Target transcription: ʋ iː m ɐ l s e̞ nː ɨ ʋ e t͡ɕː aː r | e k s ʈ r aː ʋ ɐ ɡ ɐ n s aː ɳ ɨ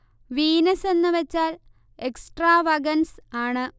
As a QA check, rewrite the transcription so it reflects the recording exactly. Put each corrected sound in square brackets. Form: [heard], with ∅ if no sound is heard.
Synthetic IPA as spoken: ʋ iː [n] ɐ [∅] s e̞ nː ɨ ʋ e t͡ɕː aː [l] | e k s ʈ r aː ʋ ɐ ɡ ɐ n s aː ɳ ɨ